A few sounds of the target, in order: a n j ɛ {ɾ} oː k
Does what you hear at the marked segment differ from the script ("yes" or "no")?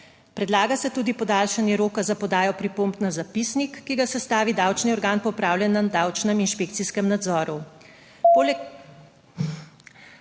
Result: no